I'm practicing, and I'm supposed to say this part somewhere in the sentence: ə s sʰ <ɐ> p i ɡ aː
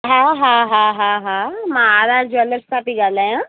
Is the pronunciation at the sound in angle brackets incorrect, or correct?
incorrect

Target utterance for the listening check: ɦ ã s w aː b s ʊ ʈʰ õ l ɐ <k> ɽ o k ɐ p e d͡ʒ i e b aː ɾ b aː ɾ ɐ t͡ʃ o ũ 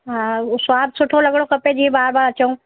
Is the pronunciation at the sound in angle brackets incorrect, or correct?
incorrect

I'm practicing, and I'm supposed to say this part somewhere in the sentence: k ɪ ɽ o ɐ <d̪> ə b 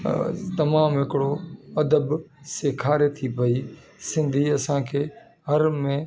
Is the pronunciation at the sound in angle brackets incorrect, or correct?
correct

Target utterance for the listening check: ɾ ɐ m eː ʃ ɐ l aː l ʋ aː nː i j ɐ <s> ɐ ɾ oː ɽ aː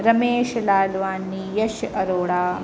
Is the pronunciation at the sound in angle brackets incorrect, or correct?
incorrect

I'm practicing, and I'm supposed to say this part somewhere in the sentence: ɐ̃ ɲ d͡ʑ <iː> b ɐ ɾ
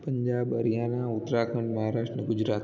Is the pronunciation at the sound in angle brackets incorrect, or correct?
incorrect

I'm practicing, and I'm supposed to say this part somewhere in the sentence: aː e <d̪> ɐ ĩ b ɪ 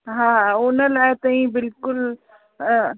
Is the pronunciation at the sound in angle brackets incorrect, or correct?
incorrect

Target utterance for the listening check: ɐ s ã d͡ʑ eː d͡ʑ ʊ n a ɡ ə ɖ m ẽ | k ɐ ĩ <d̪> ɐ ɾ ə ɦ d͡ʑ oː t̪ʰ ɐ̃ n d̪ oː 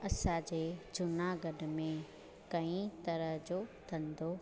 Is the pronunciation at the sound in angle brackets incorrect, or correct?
incorrect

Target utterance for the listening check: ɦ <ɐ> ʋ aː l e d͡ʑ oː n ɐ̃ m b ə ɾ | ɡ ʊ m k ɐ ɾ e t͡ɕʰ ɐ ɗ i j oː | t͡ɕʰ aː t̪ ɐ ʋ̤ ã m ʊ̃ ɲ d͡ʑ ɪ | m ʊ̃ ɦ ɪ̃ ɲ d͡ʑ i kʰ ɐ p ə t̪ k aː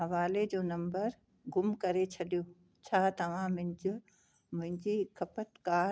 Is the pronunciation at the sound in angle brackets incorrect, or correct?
correct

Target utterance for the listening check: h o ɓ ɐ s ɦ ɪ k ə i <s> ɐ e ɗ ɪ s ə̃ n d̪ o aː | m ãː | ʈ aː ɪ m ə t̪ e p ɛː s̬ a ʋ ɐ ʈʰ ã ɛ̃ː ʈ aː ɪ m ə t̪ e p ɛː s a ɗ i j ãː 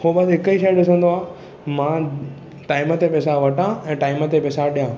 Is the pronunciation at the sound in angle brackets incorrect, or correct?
incorrect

